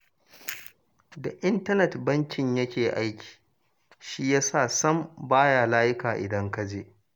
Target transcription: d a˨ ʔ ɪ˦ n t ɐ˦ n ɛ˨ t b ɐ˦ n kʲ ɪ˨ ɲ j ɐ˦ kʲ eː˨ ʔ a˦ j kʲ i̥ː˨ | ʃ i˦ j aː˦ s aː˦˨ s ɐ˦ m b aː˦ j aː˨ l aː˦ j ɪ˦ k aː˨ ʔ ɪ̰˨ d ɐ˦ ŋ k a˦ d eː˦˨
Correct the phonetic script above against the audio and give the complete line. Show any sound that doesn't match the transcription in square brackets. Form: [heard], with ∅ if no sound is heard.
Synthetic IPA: d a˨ ʔ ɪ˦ n t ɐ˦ n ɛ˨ t b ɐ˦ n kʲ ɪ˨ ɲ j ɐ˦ kʲ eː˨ ʔ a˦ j kʲ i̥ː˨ | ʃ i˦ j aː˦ s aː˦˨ s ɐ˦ m b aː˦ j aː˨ l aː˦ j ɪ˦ k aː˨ ʔ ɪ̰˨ d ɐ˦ ŋ k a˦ [d͡ʒ] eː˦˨